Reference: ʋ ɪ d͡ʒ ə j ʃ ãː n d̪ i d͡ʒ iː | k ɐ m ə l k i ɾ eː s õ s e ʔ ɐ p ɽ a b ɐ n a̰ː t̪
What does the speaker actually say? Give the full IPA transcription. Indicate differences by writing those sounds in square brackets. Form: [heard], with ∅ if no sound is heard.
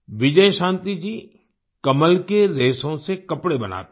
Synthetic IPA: ʋ ɪ d͡ʒ ə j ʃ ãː n [t̪] i d͡ʒ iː | k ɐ m ə l k [e] ɾ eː s õ s e [k] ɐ p ɽ [e] b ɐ n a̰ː t̪